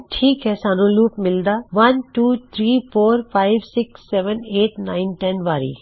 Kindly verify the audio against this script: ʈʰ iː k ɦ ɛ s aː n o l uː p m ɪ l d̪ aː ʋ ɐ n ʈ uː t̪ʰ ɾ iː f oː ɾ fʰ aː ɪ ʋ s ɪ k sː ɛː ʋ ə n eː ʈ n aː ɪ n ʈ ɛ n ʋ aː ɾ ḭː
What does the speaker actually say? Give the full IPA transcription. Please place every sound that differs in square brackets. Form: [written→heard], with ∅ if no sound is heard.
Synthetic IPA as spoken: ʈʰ iː k ɦ ɛ s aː n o l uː p m ɪ l d̪ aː ʋ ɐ n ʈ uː t̪ʰ ɾ iː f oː ɾ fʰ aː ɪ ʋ s ɪ k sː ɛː ʋ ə n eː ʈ n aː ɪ n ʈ ɛ n ʋ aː ɾ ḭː